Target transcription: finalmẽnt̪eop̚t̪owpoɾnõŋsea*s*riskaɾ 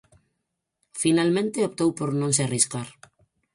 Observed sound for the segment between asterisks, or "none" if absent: none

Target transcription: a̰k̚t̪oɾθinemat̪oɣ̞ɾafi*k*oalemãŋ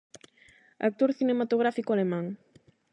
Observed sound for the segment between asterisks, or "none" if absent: k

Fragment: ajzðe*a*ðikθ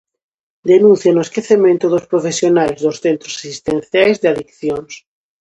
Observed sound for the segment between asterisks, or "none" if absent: a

